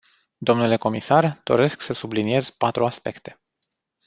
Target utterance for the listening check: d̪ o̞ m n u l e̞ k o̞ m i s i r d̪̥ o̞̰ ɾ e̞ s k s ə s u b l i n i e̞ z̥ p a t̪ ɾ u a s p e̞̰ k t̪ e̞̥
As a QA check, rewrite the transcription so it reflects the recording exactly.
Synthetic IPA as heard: d̪ o̞ m n u l e̞ k o̞ m i s a r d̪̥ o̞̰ ɾ e̞ s k s ə s u b l i n i e̞ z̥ p a t̪ ɾ u a s p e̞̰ k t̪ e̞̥